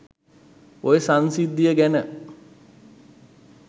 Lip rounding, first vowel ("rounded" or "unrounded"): rounded